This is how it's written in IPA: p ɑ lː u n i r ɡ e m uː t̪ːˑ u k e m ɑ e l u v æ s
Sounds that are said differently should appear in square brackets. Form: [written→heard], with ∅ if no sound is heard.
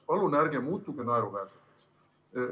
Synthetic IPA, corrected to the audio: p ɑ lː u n [i→æ] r ɡ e m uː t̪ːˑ u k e [m→n] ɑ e [l→ɾ] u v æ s